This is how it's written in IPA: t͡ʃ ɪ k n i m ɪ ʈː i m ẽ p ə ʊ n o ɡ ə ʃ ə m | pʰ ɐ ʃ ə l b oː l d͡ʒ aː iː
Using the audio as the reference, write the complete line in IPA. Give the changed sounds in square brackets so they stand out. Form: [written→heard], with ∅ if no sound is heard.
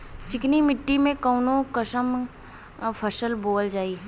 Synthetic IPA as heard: t͡ʃ ɪ k n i m ɪ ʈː i m ẽ [p→k] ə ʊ n o [ɡ→k] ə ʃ ə m | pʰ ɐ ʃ ə l b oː l d͡ʒ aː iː